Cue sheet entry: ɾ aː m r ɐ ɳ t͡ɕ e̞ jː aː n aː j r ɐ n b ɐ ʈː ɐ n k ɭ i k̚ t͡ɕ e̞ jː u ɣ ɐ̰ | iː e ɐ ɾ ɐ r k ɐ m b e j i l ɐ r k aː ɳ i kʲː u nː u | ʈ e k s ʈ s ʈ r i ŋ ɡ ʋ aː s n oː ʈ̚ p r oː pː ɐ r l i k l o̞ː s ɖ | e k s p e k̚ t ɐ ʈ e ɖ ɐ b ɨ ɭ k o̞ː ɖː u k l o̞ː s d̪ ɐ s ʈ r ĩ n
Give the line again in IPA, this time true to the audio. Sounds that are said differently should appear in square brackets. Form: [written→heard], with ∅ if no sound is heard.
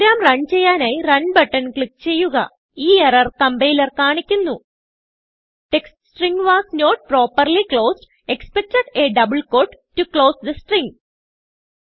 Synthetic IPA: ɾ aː m r ɐ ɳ t͡ɕ e̞ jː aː n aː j r ɐ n b ɐ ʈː ɐ n k ɭ i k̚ t͡ɕ e̞ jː u ɣ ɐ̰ | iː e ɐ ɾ ɐ r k ɐ m b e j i l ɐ r k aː ɳ i kʲː u nː u | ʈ e k s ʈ s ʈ r i ŋ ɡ ʋ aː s n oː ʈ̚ p r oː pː ɐ r l i k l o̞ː s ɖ | e k s p e k̚ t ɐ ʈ e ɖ ɐ b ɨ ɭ k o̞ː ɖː u k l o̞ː s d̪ ɐ s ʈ r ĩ [n→ŋ]